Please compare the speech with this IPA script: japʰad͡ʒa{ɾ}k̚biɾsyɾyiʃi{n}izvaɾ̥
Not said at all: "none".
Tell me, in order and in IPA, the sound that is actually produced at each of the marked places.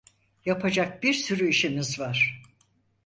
none, m

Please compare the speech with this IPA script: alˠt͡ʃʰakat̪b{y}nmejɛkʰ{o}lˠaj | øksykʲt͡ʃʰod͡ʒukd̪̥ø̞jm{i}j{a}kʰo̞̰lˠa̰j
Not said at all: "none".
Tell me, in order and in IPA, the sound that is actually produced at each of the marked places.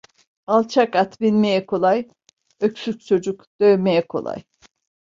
i, o, e, ɛ

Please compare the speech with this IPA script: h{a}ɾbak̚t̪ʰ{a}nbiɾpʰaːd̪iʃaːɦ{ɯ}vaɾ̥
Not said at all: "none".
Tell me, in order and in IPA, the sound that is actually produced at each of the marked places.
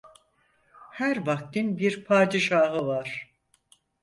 æ, i, ɯ

